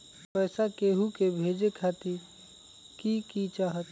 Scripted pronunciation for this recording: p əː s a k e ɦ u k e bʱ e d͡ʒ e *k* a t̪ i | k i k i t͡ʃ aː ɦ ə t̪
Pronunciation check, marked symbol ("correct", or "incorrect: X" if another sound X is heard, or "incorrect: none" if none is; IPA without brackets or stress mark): incorrect: kʰ